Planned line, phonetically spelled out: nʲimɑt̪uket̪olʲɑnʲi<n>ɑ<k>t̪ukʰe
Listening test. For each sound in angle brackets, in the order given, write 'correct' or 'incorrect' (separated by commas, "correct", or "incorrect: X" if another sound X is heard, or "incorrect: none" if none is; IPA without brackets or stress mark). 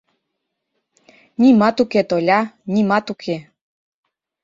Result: incorrect: m, incorrect: none